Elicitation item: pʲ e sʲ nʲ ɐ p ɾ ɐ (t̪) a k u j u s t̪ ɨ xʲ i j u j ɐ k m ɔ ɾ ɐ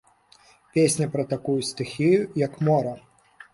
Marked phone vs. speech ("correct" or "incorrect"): correct